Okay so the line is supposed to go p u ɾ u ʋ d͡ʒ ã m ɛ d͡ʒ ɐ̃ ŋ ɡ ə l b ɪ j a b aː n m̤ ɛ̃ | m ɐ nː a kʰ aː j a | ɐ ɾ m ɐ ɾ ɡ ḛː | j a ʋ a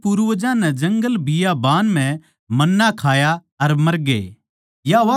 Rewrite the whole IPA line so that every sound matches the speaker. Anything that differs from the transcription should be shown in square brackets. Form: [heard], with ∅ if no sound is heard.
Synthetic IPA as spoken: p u ɾ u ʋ d͡ʒ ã [n] ɛ d͡ʒ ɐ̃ ŋ ɡ ə l b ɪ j a b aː n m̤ ɛ̃ | m ɐ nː a kʰ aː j a | ɐ ɾ m ɐ ɾ ɡ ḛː | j a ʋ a